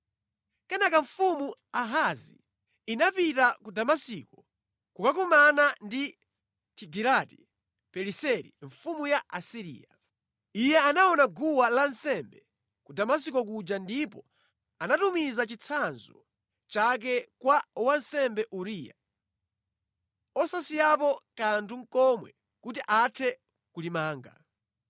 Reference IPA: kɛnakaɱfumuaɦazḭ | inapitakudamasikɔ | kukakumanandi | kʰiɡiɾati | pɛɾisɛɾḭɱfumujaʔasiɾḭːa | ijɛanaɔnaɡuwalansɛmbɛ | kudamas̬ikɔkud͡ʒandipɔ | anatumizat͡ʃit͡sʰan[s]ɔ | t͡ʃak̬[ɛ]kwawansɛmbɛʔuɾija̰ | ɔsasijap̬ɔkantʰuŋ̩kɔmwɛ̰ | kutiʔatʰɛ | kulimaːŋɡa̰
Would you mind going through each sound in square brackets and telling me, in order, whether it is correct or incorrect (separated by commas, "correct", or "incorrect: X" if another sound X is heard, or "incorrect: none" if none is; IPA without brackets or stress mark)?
incorrect: z, correct